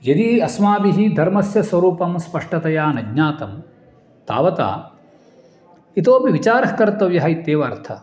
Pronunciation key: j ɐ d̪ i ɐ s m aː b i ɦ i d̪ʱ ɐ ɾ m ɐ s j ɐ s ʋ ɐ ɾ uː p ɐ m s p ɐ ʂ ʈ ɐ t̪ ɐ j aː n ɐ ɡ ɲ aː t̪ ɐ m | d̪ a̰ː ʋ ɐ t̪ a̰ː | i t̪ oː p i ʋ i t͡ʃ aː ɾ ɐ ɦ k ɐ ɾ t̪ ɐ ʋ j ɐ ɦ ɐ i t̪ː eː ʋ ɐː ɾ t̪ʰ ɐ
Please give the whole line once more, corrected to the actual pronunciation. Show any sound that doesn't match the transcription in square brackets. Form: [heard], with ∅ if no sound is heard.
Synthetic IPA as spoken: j ɐ d̪ i ɐ s m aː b i ɦ i d̪ʱ ɐ ɾ m ɐ s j ɐ s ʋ ɐ ɾ uː p ɐ m s p ɐ ʂ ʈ ɐ t̪ ɐ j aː n ɐ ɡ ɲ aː t̪ ɐ m | [t̪] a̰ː ʋ ɐ t̪ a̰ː | i t̪ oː p i ʋ i t͡ʃ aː ɾ ɐ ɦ k ɐ ɾ t̪ ɐ ʋ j ɐ ɦ ɐ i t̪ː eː ʋ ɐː ɾ t̪ʰ ɐ